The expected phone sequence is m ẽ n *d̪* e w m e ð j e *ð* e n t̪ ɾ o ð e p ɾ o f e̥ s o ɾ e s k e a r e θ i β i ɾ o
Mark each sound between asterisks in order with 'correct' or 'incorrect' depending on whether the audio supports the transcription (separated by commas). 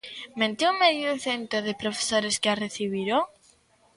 incorrect, incorrect